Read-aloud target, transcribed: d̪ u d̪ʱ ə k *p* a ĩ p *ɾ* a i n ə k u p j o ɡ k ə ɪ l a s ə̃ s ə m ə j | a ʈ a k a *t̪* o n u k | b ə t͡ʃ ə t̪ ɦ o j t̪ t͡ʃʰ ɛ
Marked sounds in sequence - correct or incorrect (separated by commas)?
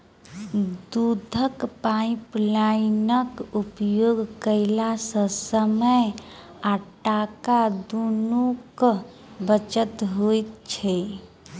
correct, incorrect, incorrect